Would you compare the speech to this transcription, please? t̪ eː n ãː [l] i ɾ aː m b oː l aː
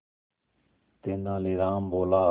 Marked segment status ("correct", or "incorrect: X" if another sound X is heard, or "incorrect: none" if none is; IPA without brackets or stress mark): correct